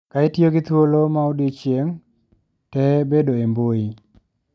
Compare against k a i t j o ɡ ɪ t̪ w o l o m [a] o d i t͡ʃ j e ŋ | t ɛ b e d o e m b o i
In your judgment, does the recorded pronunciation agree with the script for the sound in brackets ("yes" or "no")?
yes